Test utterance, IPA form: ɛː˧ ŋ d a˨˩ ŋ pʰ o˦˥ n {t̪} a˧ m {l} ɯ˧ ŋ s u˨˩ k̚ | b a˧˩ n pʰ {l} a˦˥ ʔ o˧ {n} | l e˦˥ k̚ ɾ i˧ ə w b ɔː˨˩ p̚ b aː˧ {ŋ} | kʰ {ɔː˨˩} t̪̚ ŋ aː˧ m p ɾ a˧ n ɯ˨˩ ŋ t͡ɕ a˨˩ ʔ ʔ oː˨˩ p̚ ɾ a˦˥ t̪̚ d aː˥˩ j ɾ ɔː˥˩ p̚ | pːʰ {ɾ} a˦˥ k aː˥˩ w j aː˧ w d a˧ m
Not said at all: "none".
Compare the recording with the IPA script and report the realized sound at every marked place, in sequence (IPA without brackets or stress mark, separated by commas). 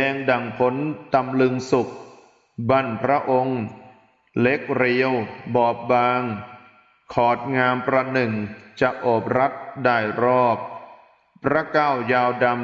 t̪, l, ɾ, ŋ, ŋ, ɔː˨˩, ɾ